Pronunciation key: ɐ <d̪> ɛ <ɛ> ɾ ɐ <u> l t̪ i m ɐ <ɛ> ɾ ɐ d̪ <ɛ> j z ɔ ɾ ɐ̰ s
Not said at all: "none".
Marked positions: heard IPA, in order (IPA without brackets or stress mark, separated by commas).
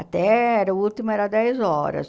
t̪, ɛ, u, ɛ, ɛ